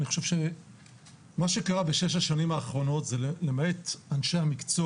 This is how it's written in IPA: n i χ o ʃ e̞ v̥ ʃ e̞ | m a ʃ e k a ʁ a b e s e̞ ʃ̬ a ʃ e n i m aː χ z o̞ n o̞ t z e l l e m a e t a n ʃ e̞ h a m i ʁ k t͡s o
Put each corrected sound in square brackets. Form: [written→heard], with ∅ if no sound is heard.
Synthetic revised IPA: n i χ o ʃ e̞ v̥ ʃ e̞ | m a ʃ e k a ʁ a b e [s→ʃ] e̞ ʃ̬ a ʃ [e→a] n i m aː χ [z→ʁ] o̞ n o̞ t z e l l e m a e t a n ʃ e̞ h a m i [ʁ→∅] k t͡s o